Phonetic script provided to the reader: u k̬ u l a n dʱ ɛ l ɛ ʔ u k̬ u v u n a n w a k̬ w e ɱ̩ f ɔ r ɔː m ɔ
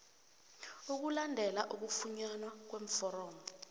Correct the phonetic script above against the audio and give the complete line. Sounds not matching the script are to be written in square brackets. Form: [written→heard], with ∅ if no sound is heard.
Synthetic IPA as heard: u k̬ u l a n dʱ ɛ l [ɛ→a] ʔ u k̬ u [v→f] u [n→ɲ] a n w a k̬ w e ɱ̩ f ɔ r ɔː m ɔ